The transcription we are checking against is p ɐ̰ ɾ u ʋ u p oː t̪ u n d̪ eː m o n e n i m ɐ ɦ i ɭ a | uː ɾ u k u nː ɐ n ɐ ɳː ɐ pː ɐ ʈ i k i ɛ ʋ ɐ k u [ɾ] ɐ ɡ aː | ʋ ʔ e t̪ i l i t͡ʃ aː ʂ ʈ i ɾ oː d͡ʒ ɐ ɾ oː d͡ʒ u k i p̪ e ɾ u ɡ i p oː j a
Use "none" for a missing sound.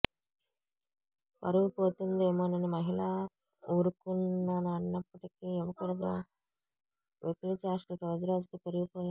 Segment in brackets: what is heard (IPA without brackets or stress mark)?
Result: ɽ